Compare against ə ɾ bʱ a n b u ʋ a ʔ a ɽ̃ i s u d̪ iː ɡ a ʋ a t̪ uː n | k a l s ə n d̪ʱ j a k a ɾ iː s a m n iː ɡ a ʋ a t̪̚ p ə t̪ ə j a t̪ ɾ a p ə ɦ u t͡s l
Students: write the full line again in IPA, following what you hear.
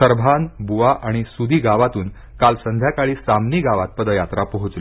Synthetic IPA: ə ɾ bʱ a n b u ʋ a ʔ a ɽ̃ i s u d̪ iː ɡ a ʋ a t̪ uː n | k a l s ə n d̪ʱ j a k a ɭ iː s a m n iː ɡ a ʋ a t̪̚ p ə d̪ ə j a t̪ ɾ a p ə ɦ u t͡s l